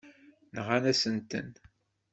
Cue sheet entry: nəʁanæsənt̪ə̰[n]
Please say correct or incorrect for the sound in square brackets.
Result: correct